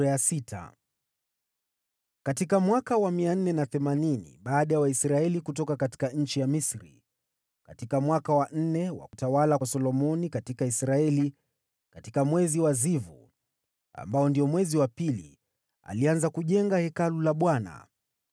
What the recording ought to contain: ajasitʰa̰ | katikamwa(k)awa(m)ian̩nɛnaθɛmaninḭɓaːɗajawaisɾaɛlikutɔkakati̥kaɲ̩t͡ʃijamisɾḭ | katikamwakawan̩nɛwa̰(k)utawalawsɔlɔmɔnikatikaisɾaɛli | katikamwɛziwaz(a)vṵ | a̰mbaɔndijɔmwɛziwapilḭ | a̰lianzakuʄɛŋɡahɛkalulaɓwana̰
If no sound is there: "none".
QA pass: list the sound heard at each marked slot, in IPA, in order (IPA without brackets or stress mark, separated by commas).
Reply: k, m, k, i